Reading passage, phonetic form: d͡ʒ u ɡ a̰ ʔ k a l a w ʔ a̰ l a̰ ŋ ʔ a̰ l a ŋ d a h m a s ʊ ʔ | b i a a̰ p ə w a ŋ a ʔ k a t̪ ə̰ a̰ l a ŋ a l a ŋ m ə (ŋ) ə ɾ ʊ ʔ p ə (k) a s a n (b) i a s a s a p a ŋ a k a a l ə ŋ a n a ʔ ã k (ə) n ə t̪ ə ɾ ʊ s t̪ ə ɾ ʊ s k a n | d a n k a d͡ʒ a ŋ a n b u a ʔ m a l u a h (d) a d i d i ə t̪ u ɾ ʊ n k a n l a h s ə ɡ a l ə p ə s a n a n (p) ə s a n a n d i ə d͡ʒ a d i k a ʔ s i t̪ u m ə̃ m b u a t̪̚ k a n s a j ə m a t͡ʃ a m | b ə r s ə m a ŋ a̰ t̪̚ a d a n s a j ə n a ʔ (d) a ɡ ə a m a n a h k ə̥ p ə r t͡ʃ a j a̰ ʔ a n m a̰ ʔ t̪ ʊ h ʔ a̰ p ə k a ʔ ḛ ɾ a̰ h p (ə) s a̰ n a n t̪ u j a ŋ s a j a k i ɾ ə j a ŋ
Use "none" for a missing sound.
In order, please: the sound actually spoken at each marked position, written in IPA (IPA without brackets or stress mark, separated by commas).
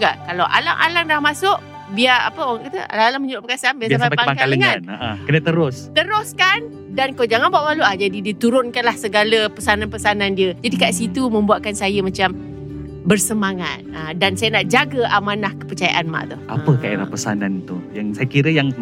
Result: ɲ, k, b, ə, d͡ʒ, p, d͡ʒ, ə